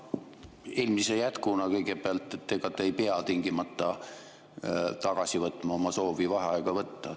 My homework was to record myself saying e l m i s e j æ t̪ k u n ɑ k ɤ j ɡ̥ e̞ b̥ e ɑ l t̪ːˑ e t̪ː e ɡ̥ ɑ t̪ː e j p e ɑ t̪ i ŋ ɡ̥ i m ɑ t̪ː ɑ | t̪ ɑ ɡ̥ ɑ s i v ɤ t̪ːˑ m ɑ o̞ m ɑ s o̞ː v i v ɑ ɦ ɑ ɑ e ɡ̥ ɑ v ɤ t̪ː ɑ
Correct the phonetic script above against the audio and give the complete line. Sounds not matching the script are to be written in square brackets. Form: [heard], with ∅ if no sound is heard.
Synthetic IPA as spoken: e l m i s e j æ t̪ k u n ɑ k ɤ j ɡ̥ e̞ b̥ e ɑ l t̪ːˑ e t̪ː e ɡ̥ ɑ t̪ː e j p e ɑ t̪ i ŋ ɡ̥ i m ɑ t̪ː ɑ | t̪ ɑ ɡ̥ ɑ s i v ɤ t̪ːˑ m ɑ o̞ m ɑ s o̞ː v i v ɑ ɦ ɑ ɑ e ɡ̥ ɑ v ɤ t̪ː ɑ

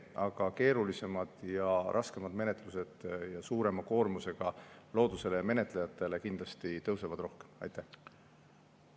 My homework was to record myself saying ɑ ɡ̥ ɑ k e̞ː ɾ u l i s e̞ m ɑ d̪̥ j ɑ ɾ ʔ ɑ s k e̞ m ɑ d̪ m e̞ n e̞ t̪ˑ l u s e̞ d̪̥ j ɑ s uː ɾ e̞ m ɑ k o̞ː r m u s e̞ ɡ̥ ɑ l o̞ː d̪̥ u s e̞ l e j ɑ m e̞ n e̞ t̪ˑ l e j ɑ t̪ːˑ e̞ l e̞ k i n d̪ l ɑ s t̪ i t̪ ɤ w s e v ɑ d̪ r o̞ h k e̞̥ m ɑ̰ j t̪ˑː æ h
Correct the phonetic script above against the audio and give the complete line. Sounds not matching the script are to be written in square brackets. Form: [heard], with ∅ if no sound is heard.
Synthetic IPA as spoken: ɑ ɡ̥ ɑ k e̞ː ɾ u l i s e̞ m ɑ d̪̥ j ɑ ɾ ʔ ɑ s k e̞ m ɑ d̪ m e̞ n e̞ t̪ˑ l u s e̞ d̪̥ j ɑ s uː ɾ e̞ m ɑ k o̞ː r m u s e̞ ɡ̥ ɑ l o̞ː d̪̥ u s e̞ l e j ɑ m e̞ n e̞ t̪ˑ l e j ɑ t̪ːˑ e̞ l e̞ k i n d̪ l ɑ s t̪ i t̪ ɤ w s e v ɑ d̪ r o̞ h k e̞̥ m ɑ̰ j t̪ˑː æ h

